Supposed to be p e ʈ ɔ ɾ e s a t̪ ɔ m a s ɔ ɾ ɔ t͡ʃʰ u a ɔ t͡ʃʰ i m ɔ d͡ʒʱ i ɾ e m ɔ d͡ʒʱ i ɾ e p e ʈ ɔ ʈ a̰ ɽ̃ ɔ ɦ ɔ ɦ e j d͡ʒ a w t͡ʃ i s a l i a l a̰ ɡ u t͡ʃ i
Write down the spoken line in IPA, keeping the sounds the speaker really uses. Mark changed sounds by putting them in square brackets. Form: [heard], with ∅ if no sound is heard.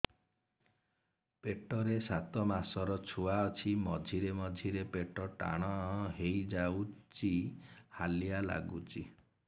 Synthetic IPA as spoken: p e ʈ ɔ ɾ e s a t̪ ɔ m a s ɔ ɾ ɔ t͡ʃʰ u a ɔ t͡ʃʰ i m ɔ d͡ʒʱ i ɾ e m ɔ d͡ʒʱ i ɾ e p e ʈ ɔ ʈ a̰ ɽ̃ ɔ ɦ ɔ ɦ e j d͡ʒ a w t͡ʃ i [h] a l i a l a̰ ɡ u t͡ʃ i